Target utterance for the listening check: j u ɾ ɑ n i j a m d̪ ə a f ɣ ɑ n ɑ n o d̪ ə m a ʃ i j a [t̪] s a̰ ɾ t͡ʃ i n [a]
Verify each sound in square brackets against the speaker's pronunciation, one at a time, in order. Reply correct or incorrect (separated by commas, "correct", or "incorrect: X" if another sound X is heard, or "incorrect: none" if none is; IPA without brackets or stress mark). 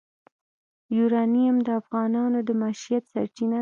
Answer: correct, correct